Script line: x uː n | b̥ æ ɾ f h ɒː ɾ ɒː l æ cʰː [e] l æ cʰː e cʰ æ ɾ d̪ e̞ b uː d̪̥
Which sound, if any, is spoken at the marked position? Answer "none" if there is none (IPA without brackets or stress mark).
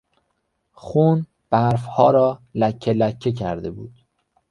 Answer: e